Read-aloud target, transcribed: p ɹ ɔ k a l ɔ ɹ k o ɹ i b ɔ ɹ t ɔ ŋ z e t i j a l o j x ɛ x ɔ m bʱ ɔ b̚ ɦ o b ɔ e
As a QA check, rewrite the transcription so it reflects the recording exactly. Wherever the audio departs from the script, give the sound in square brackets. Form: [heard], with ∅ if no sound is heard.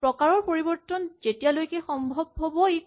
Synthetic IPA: p ɹ ɔ k a [ɹ] ɔ ɹ [p] o ɹ i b ɔ ɹ t ɔ [n] z e t i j a l o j [k] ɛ x ɔ m bʱ ɔ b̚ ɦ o b ɔ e